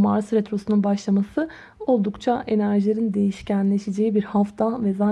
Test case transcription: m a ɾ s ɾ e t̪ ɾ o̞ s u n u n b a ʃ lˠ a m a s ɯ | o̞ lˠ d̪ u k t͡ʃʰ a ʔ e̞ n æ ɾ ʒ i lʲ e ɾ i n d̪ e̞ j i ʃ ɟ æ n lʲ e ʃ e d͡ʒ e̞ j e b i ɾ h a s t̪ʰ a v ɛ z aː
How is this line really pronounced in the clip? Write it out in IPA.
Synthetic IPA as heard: m a ɾ s ɾ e t̪ ɾ o̞ s u n u n b a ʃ lˠ a m a s ɯ | o̞ lˠ d̪ u k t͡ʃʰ a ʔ e̞ n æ ɾ ʒ i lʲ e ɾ i n d̪ e̞ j i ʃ c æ n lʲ e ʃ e d͡ʒ e̞ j i b i ɾ h a f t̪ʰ a v ɛ z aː